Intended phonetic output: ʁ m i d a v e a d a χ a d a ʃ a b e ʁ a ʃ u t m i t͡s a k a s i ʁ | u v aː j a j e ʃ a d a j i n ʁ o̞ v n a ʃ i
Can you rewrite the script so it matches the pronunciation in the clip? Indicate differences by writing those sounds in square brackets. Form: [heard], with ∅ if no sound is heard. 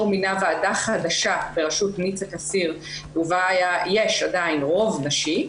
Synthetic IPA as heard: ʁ m i [n] a v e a d a χ a d a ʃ a b e ʁ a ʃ u t [n] i t͡s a k a s i ʁ | u v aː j a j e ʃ a d a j i n ʁ o̞ v n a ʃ i